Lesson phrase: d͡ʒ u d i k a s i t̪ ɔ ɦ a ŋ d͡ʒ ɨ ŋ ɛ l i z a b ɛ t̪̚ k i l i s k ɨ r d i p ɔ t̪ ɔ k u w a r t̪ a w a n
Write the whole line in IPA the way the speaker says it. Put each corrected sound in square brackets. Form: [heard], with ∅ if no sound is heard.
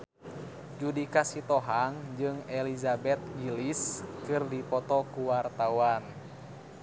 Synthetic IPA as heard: d͡ʒ u d i k a s i t̪ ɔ ɦ a ŋ d͡ʒ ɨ ŋ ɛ l i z a b ɛ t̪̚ [ɡ] i l i s k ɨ r d i p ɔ t̪ ɔ k u w a r t̪ a w a n